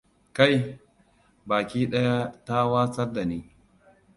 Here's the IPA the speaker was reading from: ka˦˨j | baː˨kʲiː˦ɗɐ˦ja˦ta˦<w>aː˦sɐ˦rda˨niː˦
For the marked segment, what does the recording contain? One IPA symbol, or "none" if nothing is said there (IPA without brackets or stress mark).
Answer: w